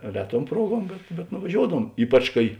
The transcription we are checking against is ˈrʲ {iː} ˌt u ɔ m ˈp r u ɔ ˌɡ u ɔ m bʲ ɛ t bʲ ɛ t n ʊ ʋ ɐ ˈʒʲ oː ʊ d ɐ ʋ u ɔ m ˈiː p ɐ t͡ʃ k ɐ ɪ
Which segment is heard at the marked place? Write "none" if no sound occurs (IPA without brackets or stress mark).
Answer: æː